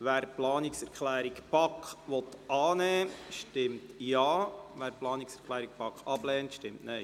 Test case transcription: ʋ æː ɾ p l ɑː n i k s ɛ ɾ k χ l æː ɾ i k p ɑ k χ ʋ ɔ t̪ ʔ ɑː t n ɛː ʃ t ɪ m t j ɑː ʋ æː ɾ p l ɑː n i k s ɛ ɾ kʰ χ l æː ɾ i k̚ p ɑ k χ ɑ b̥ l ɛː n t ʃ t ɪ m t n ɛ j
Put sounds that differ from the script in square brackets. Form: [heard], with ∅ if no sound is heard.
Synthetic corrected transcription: ʋ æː ɾ p l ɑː n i k s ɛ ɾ k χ l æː ɾ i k p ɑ k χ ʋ ɔ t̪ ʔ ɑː [∅] n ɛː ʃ t ɪ m t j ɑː ʋ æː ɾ p l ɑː n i k s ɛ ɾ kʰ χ l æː ɾ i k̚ p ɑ k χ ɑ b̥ l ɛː n t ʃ t ɪ m t n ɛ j

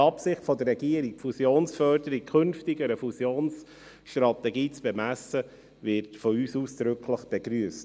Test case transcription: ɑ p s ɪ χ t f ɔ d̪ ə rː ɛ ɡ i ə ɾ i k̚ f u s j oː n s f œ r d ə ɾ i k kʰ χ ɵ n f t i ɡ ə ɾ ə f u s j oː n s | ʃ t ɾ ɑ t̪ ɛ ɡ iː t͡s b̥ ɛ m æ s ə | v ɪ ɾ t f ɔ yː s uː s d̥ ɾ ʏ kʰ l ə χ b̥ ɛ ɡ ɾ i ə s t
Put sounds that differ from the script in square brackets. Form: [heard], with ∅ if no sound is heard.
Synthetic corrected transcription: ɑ p s ɪ χ t f ɔ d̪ ə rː ɛ ɡ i ə ɾ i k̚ f u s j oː n s f œ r d ə ɾ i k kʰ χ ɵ n f t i ɡ ə ɾ ə f u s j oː n s | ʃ t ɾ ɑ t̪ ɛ ɡ iː t͡s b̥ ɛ m æ s ə | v ɪ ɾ t f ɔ yː s uː s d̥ ɾ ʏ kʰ l ə χ b̥ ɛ ɡ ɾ [y] ə s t

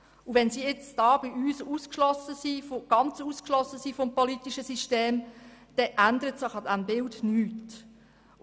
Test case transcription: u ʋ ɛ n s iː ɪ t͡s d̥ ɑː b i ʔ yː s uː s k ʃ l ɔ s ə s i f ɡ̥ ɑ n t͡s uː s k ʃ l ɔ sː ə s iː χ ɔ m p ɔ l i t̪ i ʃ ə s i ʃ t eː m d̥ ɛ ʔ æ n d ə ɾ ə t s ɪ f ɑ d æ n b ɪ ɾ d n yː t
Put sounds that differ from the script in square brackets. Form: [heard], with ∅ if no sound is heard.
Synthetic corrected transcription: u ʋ ɛ n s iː ɪ t͡s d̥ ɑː b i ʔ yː s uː s k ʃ l ɔ s ə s i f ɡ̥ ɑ n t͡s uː s k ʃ l ɔ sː ə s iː [f] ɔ m p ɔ l i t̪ i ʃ ə s i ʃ t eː m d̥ ɛ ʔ æ n d ə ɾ ə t s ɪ [χ] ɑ d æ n b ɪ [l] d n yː t

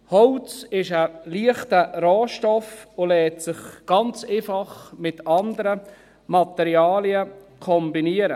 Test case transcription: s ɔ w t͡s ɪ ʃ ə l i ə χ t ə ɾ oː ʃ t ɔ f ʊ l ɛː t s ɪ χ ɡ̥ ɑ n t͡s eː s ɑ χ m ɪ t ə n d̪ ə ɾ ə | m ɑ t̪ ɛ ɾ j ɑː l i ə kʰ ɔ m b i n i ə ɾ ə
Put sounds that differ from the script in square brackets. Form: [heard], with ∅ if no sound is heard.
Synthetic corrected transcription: [h] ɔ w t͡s ɪ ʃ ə l i ə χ t ə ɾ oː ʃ t ɔ f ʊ l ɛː t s ɪ χ ɡ̥ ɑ n t͡s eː [f] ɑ χ m ɪ t [ɑ] n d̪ ə ɾ ə | m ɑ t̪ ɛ ɾ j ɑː l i ə kʰ ɔ m b i n i ə ɾ ə

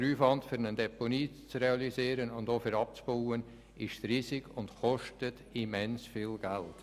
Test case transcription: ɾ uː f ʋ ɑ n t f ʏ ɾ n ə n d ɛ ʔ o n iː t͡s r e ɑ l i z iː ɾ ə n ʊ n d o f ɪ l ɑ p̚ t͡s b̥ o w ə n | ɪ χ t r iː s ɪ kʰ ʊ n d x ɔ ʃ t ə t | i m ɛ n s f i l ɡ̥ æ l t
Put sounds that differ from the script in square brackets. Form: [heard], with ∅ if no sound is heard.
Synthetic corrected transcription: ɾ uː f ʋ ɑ n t f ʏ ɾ n ə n d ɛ [p] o n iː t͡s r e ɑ l i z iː ɾ ə n ʊ n d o f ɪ [ɾ] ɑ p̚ t͡s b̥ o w ə n | ɪ [ʃ] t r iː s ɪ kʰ ʊ n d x ɔ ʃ t ə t | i m ɛ n s f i l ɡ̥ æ l t

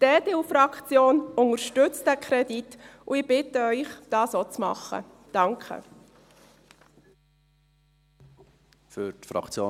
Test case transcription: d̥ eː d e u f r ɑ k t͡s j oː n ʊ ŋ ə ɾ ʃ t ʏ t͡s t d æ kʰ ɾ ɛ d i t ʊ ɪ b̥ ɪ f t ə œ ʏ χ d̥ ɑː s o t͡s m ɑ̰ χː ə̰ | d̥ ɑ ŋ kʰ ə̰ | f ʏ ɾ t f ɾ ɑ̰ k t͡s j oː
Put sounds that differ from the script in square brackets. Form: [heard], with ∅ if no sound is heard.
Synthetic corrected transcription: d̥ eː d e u f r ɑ k t͡s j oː n ʊ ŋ ə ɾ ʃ t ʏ t͡s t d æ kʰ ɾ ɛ d i t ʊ ɪ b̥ ɪ [∅] t ə œ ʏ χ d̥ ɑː s o t͡s m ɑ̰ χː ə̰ | d̥ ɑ ŋ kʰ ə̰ | f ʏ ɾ t f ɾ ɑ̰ k t͡s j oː

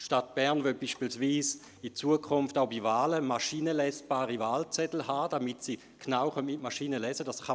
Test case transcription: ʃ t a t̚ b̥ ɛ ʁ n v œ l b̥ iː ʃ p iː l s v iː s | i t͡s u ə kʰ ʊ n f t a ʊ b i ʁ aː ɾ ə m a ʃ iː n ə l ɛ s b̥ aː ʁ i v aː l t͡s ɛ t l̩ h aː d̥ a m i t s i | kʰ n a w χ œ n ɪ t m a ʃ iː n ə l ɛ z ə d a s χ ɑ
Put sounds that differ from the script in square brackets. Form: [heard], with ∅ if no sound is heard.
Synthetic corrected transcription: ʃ t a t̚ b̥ ɛ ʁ n v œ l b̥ iː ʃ p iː l s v iː s | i t͡s u ə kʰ ʊ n f t a ʊ b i [v] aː [l] ə m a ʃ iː n ə l ɛ s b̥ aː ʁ i v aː l t͡s ɛ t l̩ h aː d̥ a m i t s i | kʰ n a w χ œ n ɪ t m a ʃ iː n ə l ɛ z ə d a s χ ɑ

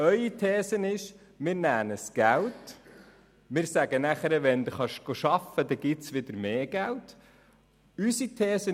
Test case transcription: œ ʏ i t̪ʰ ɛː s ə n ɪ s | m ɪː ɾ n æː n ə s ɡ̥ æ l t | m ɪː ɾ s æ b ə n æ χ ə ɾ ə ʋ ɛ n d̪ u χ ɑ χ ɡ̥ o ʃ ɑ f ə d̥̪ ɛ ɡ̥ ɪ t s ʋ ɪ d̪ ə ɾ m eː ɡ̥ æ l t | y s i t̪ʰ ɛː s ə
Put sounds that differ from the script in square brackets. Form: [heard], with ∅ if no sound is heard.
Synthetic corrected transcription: œ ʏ i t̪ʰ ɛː s ə n ɪ [ʃ] | m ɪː ɾ n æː n ə s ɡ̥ æ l t | m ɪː ɾ s æ [ɡ] ə n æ χ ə ɾ ə ʋ ɛ n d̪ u χ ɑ [ʃ] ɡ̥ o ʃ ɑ f ə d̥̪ ɛ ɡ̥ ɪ t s ʋ ɪ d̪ ə ɾ m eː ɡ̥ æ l t | y s i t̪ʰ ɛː s ə

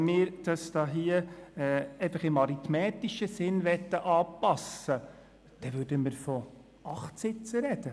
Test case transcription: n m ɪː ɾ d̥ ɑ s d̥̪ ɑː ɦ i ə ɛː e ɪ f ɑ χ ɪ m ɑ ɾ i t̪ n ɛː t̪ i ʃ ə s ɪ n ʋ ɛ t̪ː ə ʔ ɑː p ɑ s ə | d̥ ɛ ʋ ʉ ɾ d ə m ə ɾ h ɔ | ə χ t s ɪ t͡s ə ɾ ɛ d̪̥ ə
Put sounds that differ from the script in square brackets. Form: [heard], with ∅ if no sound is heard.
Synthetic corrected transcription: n m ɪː ɾ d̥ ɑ s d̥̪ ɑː ɦ i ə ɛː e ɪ f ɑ χ ɪ m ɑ ɾ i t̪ [m] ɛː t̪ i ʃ ə s ɪ n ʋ ɛ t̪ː ə ʔ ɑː p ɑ s ə | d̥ ɛ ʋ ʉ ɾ d ə m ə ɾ [f] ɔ | [ɑ] χ t s ɪ t͡s ə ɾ ɛ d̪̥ ə

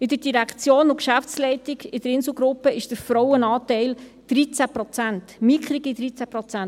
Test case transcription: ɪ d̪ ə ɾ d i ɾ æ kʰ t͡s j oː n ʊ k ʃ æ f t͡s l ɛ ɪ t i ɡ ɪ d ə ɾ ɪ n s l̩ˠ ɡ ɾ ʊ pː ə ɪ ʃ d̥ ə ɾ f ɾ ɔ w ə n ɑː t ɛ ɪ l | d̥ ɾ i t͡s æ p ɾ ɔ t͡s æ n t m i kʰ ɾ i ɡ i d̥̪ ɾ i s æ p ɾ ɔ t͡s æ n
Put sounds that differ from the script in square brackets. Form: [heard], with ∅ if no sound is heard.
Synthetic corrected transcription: ɪ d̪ ə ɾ d i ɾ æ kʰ t͡s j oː n ʊ k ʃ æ f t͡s l ɛ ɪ t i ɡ ɪ d ə ɾ ɪ n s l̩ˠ ɡ ɾ ʊ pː ə ɪ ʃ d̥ ə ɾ f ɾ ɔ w ə n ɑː t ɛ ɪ l | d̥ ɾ i t͡s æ p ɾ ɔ t͡s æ n t m i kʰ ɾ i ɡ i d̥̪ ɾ i [t͡s] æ p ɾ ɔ t͡s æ n

